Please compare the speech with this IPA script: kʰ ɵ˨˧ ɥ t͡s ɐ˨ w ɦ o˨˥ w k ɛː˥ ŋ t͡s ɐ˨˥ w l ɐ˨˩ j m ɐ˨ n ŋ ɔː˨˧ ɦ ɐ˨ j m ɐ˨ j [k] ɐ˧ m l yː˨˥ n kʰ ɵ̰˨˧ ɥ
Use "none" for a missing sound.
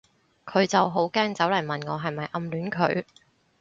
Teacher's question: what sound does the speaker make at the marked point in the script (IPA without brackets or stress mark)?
ʔ